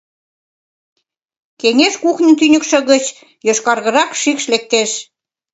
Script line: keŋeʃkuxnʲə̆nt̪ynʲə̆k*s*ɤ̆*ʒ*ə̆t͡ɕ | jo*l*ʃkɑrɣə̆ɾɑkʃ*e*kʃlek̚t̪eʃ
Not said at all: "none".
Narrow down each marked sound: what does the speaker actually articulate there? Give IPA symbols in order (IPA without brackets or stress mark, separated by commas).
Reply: ʃ, ɣ, none, i